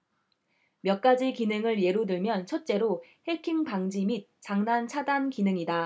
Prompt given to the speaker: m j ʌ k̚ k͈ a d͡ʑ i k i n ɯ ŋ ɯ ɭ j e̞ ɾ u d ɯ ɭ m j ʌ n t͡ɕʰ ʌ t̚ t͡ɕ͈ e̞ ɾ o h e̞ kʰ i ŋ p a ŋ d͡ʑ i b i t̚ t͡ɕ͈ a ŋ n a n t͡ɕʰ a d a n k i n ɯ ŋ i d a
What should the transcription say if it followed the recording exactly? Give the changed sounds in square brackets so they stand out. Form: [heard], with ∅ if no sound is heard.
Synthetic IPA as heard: m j ʌ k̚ k͈ a d͡ʑ i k i n ɯ ŋ ɯ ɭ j e̞ ɾ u d ɯ ɭ m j ʌ n t͡ɕʰ ʌ t̚ t͡ɕ͈ e̞ ɾ o h e̞ kʰ i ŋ p a ŋ d͡ʑ i [m] i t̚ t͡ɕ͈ a ŋ n a n t͡ɕʰ a d a n k i n ɯ ŋ i d a